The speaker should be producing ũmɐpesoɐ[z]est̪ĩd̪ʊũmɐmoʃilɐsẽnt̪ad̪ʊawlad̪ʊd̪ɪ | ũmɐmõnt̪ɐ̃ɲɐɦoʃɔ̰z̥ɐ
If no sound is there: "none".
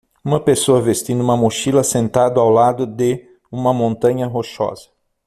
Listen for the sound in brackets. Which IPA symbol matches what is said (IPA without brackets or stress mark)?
v